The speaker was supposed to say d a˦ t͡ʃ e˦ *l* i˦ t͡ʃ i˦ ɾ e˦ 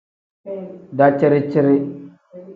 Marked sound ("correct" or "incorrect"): incorrect